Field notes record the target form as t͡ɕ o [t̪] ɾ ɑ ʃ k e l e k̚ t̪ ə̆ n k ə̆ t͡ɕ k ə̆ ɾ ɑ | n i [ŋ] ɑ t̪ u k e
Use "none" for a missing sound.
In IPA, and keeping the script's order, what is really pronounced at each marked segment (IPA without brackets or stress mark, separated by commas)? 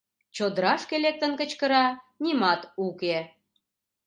d̪, m